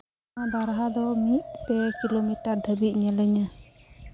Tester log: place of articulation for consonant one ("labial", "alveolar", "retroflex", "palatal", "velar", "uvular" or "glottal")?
labial